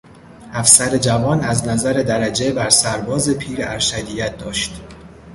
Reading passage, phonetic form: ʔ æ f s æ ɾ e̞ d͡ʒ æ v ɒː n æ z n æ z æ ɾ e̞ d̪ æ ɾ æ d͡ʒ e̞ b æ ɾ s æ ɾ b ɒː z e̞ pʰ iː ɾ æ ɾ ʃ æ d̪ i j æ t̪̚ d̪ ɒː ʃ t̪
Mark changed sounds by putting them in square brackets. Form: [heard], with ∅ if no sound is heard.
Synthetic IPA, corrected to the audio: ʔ æ f s æ ɾ e̞ d͡ʒ æ v ɒː n æ z n æ z æ ɾ e̞ d̪ æ ɾ æ d͡ʒ e̞ b æ ɾ s æ ɾ b ɒː z e̞ pʰ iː ɾ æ ɾ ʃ æ d̪ i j æ t̪̚ d̪ ɒː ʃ t̪